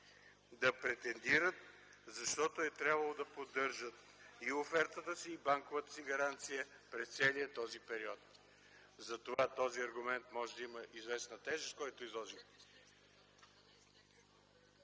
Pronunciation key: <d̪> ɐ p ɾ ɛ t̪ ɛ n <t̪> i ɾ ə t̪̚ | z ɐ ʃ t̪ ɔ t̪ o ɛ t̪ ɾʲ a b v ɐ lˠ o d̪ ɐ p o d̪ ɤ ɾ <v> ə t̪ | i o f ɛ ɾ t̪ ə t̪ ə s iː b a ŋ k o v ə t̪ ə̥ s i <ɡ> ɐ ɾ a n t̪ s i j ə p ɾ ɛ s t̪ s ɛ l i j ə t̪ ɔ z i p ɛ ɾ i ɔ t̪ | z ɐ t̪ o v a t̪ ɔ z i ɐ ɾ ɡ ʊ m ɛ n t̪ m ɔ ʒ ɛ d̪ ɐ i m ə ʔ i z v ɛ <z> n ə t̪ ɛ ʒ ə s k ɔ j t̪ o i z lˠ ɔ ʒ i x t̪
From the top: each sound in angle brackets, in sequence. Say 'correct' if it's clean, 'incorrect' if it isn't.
correct, incorrect: d̪, incorrect: ʒ, correct, incorrect: s

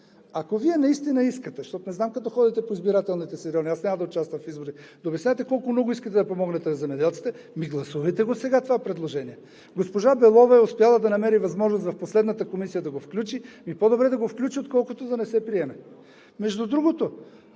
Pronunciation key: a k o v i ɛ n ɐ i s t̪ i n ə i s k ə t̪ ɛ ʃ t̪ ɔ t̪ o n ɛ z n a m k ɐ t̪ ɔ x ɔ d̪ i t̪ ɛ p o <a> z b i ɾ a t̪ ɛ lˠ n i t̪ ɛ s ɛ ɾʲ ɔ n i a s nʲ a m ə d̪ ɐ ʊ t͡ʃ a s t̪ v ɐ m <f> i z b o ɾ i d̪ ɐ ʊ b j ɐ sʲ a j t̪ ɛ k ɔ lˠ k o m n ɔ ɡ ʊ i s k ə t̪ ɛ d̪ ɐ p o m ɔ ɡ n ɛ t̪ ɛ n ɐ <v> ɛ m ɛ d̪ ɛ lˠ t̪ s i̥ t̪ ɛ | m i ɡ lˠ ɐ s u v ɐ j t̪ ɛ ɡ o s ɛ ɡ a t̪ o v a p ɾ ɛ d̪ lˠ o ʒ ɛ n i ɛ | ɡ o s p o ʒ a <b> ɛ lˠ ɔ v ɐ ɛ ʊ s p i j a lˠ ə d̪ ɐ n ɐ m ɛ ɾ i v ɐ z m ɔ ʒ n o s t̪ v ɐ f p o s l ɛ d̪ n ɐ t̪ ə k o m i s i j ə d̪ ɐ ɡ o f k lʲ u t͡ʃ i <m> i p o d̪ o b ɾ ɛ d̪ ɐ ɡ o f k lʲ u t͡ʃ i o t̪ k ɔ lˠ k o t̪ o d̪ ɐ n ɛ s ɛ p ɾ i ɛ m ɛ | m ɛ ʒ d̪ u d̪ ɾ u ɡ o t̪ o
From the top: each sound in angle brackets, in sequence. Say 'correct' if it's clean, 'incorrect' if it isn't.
incorrect: i, correct, incorrect: z, correct, correct

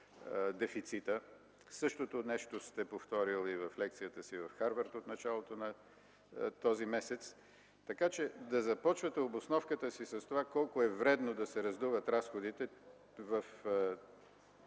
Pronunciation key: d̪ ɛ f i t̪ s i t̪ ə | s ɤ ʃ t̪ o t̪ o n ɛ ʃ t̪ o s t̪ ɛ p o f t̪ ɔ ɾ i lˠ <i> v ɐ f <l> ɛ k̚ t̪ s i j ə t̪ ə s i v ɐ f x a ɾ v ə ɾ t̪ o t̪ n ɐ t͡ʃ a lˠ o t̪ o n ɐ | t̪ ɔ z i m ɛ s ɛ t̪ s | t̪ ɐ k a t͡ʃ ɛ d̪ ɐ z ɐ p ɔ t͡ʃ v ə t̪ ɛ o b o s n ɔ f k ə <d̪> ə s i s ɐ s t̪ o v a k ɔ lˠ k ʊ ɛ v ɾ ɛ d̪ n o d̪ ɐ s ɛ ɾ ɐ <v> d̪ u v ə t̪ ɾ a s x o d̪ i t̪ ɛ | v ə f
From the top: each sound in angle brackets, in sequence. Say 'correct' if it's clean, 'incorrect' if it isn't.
correct, correct, incorrect: t̪, incorrect: z

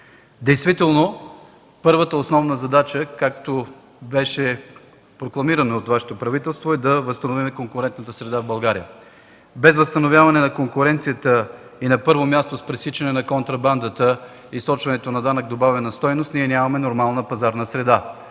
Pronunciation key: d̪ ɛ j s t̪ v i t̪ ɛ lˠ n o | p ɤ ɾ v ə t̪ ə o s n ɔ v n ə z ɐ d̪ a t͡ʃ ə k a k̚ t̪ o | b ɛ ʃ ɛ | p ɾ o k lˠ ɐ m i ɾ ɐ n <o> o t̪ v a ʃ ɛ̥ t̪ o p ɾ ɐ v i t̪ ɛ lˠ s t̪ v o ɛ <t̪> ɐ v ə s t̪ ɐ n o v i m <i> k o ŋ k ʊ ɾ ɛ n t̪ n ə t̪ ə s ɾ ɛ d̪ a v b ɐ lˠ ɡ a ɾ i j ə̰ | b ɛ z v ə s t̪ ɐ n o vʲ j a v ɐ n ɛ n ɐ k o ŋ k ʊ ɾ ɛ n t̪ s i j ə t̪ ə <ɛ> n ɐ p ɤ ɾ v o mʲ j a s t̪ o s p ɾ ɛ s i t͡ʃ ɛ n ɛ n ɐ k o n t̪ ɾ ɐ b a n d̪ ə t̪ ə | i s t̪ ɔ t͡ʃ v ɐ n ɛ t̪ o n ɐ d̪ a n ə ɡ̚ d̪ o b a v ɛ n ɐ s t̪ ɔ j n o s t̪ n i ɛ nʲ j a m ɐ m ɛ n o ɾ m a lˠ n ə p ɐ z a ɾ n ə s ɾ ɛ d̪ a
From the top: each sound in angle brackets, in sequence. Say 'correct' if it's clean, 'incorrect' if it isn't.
correct, incorrect: d̪, incorrect: ɛ, incorrect: i

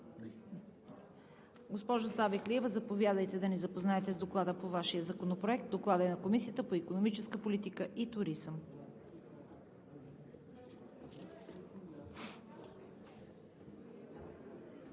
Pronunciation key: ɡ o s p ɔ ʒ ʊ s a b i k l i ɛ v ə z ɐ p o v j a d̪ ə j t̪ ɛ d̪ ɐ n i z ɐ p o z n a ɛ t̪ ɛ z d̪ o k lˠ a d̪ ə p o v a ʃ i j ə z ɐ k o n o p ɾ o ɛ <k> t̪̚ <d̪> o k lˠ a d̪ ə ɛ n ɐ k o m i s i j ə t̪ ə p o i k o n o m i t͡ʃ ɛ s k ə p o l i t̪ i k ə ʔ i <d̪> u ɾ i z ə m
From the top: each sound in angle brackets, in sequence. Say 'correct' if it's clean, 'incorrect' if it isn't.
correct, correct, incorrect: t̪

